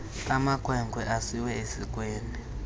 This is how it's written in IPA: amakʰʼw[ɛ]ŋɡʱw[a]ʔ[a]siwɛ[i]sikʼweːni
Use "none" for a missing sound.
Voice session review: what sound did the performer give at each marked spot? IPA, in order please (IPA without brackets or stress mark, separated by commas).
ɛ, ɛ, a, e